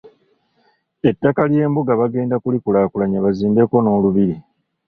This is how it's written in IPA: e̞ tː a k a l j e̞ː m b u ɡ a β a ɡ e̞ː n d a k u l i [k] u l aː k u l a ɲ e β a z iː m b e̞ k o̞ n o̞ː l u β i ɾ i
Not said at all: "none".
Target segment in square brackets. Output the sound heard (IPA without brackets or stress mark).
k